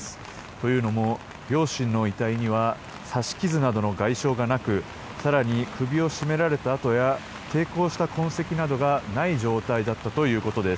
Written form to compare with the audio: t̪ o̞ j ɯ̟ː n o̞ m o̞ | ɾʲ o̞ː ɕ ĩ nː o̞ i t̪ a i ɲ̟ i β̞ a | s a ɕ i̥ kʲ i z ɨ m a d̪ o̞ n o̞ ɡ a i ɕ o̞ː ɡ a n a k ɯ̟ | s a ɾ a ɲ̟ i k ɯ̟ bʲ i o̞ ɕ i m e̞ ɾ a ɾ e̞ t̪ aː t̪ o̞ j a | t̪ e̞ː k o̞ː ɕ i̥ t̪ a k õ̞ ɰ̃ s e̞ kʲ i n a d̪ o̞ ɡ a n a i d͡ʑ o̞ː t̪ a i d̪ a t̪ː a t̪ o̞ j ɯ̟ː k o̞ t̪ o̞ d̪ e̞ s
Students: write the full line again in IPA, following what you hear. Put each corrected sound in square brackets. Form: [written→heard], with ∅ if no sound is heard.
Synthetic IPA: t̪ o̞ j ɯ̟ː n o̞ m o̞ | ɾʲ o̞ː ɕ ĩ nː o̞ i t̪ a i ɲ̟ i β̞ a | s a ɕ i̥ kʲ i z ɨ [m→n] a d̪ o̞ n o̞ ɡ a i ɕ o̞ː ɡ a n a k ɯ̟ | s a ɾ a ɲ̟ i k ɯ̟ bʲ i o̞ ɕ i m e̞ ɾ a ɾ e̞ t̪ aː t̪ o̞ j a | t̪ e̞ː k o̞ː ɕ i̥ t̪ a k õ̞ ɰ̃ s e̞ kʲ i n a d̪ o̞ ɡ a n a i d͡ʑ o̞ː t̪ a i d̪ a t̪ː a t̪ o̞ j ɯ̟ː k o̞ t̪ o̞ d̪ e̞ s